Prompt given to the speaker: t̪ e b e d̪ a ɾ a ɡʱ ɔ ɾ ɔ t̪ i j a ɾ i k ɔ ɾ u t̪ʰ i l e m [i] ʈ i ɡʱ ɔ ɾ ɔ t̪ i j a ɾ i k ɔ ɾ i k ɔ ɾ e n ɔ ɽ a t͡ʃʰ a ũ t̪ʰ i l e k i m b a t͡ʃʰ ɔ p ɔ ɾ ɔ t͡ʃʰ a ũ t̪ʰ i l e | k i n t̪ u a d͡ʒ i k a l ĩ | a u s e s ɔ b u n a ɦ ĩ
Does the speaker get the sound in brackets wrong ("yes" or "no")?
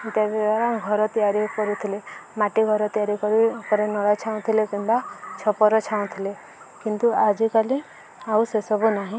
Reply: yes